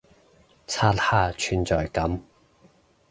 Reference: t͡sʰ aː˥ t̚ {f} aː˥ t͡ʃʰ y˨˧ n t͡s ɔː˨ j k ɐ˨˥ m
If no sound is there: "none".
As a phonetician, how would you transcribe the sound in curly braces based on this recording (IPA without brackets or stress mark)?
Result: h